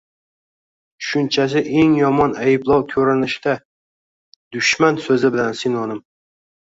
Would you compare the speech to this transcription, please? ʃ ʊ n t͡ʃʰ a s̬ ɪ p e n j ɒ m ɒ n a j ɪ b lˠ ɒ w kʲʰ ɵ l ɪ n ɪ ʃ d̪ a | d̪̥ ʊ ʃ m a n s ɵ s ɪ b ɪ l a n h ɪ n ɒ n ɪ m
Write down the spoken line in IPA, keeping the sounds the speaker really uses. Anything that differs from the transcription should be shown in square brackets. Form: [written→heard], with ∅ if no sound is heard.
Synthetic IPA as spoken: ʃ ʊ n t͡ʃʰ a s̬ ɪ [p→ʔ] e [n→ŋ] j ɒ m ɒ n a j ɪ b lˠ ɒ w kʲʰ ɵ [l→ɾ] ɪ n ɪ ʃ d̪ a | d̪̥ ʊ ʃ m a n s ɵ [s→z] ɪ b ɪ l a n [h→s] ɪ n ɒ n ɪ m